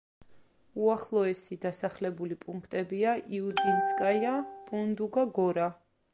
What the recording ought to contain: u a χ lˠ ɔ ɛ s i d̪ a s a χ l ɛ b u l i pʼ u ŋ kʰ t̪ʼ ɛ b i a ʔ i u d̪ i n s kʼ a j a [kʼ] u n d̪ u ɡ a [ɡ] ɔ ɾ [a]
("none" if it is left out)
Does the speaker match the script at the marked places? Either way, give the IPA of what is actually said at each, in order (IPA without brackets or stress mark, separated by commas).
pʼ, ɡ, a